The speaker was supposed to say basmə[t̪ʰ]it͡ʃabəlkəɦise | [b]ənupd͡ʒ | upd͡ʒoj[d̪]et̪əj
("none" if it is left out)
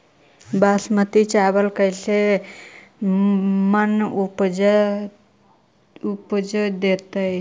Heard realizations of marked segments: t̪, m, d̪

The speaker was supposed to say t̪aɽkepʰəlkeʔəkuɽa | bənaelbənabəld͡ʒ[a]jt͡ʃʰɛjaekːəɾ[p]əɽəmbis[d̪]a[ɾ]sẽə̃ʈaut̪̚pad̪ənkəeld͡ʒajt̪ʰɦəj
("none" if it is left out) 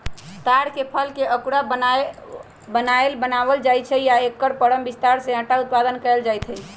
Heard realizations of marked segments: a, p, t̪, ɾ

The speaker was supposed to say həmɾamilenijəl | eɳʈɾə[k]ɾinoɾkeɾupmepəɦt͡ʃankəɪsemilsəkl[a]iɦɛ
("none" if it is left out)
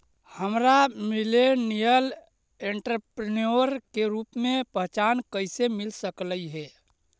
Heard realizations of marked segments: p, ə

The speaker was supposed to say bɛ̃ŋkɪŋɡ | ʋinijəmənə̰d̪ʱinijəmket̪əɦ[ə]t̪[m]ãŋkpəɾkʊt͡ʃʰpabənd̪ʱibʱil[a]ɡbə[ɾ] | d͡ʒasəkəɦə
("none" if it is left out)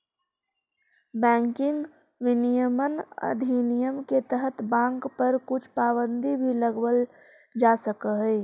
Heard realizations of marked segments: ə, b, ə, l

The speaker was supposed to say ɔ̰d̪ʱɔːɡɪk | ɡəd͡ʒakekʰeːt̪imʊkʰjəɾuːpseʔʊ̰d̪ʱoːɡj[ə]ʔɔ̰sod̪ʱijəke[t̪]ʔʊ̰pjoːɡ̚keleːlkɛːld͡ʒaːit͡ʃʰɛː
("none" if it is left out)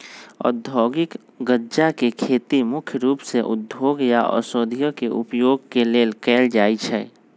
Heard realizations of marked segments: a, none

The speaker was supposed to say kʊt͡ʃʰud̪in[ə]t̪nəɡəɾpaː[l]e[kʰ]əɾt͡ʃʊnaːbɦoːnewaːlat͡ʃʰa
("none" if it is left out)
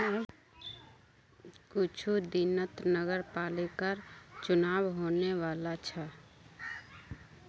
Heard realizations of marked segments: ə, l, k

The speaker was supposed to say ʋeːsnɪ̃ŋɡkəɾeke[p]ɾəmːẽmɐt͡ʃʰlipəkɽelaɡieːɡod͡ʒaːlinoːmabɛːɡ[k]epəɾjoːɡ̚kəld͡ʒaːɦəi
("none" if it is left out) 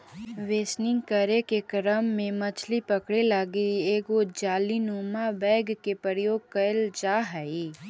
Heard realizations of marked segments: k, k

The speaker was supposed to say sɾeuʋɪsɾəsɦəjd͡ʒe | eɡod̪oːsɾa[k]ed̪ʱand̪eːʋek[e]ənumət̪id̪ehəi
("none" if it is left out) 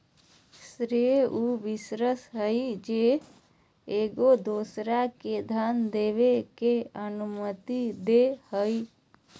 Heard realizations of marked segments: k, e

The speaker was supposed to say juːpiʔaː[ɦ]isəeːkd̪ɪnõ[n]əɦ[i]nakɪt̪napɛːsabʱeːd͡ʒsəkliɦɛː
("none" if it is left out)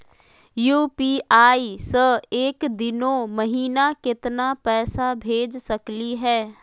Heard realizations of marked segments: none, m, iː

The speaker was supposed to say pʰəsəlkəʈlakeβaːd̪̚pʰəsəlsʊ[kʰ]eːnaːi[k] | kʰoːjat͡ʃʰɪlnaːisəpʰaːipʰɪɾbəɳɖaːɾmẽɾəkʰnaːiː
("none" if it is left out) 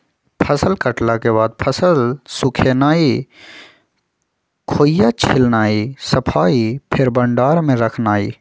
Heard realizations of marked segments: kʰ, none

